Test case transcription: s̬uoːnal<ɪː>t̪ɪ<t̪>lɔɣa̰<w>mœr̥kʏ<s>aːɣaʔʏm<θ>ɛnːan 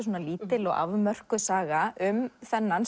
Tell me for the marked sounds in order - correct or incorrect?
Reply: incorrect: iː, incorrect: none, incorrect: v, correct, correct

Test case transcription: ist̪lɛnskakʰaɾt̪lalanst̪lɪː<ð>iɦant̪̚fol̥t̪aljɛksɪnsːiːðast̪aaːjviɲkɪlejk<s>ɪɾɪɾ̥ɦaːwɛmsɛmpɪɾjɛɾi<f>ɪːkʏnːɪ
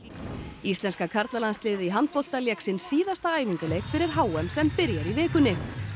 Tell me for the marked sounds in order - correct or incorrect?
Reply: correct, incorrect: f, incorrect: v

